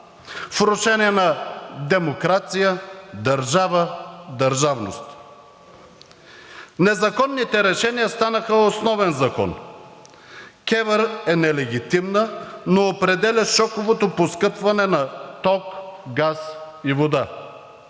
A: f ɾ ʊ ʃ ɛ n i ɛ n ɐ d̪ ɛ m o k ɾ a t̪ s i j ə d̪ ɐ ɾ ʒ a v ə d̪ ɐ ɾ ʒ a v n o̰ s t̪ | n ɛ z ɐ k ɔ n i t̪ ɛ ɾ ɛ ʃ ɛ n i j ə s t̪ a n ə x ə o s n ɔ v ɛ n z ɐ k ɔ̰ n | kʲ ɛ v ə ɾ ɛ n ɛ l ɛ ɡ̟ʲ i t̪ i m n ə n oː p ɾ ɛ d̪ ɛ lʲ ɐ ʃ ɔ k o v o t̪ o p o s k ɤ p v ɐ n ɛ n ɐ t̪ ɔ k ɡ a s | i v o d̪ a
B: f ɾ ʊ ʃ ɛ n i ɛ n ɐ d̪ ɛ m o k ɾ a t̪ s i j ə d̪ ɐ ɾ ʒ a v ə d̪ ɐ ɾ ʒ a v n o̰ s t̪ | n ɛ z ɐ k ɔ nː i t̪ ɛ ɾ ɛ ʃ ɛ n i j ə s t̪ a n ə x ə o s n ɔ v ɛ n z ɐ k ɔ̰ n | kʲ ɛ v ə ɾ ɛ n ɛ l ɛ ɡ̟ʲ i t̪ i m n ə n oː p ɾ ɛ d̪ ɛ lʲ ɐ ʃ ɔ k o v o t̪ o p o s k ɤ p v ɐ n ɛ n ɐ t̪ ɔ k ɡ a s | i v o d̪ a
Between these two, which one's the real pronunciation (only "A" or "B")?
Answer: B